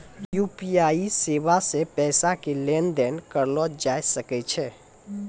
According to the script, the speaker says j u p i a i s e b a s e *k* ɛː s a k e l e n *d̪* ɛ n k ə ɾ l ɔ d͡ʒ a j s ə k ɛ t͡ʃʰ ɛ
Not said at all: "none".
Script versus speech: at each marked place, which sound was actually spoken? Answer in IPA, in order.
p, d̪

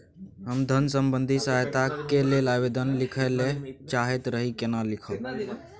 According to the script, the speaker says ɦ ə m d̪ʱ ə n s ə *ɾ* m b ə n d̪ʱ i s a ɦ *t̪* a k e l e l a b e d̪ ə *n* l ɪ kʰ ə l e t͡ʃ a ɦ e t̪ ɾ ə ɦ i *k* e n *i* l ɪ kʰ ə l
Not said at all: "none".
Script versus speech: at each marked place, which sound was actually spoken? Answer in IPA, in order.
none, t̪, n, k, a

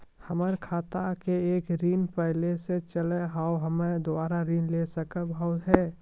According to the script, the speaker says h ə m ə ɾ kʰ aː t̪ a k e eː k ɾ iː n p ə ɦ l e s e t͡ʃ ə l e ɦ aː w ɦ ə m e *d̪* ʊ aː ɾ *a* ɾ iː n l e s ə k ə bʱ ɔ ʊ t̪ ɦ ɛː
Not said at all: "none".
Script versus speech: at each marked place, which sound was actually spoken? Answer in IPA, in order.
d̪, a

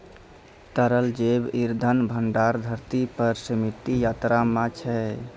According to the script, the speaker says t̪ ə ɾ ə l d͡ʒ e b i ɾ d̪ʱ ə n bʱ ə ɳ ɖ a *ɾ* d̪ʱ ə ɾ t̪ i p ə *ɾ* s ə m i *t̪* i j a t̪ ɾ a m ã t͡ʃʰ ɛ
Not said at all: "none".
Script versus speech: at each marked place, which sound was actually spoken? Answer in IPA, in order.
ɾ, ɾ, t̪

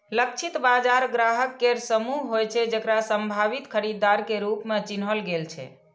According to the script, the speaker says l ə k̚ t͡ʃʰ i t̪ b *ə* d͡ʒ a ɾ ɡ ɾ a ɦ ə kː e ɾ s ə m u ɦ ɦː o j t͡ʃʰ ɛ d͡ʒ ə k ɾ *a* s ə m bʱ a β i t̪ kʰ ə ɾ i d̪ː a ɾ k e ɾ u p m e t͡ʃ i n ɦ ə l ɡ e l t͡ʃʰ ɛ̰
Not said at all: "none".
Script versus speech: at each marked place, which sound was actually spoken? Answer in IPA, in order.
a, a

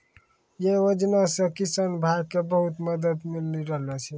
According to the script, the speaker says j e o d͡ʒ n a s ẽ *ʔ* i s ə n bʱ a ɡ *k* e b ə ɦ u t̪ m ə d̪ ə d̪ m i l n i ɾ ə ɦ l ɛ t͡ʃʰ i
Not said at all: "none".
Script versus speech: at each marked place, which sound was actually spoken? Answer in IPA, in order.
k, k

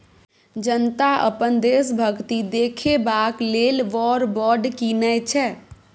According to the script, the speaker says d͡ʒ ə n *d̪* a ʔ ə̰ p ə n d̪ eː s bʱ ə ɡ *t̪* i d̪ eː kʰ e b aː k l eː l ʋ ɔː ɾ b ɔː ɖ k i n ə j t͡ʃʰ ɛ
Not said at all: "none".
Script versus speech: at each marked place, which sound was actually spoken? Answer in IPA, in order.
t̪, t̪

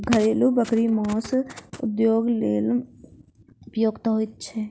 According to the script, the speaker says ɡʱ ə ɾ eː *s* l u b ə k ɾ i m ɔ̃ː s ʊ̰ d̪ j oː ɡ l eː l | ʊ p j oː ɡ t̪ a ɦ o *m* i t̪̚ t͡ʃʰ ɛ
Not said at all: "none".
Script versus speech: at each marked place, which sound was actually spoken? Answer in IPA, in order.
none, none

